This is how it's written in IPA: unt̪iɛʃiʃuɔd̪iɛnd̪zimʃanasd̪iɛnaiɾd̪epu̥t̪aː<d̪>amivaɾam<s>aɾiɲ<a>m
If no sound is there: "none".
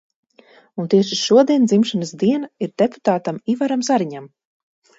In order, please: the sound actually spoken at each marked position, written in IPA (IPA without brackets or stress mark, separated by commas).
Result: t̪, z, a